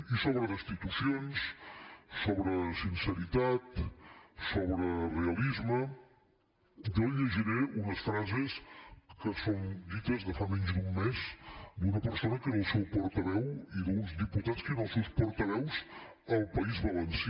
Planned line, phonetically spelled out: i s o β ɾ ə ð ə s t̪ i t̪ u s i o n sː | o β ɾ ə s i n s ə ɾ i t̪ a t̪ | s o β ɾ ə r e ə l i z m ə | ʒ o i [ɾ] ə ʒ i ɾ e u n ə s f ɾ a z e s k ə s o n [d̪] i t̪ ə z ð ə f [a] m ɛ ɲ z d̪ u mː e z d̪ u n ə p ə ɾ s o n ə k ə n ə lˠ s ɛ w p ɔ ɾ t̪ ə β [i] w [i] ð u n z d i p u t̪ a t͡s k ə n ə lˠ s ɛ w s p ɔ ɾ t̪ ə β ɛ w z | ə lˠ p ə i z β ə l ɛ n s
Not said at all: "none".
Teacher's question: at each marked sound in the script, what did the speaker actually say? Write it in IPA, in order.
ʎ, d̪, a, ɛ, i

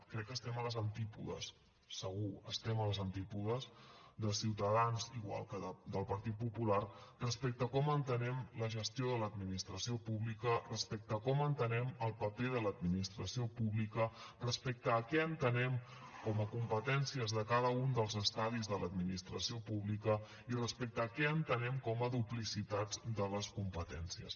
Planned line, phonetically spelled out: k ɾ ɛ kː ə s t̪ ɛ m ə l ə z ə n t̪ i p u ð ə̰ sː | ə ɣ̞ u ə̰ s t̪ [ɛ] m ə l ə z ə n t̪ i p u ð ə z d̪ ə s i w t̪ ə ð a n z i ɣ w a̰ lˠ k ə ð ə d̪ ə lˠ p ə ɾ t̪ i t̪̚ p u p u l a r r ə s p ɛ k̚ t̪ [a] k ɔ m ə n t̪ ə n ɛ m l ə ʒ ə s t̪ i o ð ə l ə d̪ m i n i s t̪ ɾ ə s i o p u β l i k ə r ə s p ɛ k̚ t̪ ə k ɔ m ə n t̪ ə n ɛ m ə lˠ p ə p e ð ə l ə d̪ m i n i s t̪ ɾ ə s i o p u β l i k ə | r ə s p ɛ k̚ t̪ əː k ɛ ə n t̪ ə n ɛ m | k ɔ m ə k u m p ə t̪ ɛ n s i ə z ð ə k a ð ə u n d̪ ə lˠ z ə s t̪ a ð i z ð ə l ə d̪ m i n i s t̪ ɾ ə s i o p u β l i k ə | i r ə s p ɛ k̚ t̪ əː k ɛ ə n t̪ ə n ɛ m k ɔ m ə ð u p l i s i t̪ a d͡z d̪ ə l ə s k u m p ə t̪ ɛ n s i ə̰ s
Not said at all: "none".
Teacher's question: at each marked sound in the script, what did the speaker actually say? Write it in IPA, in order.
ɛ, ə

